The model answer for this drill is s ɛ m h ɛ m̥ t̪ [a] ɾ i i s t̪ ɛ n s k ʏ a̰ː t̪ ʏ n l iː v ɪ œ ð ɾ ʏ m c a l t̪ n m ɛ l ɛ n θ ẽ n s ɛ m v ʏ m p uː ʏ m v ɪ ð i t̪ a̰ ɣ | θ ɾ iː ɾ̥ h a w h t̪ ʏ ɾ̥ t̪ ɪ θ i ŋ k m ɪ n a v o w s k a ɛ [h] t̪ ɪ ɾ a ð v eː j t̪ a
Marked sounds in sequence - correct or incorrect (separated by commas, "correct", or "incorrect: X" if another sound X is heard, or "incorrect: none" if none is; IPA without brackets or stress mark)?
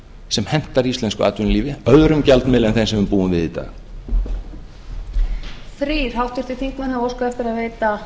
correct, incorrect: f